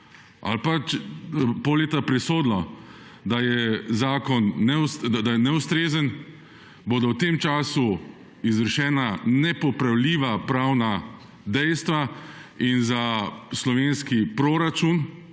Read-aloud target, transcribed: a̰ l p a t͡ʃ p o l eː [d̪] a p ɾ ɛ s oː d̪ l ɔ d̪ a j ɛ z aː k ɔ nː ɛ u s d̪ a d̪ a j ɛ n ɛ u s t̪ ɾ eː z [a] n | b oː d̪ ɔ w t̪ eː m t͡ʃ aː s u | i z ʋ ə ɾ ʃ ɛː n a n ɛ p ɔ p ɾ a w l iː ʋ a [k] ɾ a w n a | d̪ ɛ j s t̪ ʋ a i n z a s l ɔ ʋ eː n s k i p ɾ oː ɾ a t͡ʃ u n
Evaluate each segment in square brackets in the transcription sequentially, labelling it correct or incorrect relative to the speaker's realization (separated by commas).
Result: incorrect, incorrect, incorrect